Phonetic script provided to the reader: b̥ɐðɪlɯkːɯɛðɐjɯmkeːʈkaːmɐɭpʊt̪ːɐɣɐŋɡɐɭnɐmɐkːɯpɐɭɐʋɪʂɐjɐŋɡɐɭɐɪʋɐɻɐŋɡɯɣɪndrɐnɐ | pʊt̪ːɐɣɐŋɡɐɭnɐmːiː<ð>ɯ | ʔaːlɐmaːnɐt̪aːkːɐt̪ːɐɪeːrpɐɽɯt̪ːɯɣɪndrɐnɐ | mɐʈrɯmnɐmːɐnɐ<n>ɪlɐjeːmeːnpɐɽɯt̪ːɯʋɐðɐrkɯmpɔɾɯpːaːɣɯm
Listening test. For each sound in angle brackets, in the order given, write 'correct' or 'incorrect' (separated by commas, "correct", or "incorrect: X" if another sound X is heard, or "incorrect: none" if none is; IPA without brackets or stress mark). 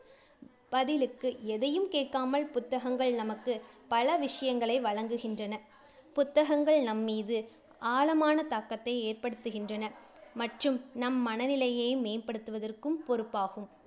correct, correct